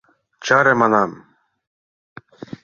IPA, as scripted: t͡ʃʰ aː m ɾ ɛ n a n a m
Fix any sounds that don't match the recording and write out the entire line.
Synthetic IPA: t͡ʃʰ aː ɾ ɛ m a n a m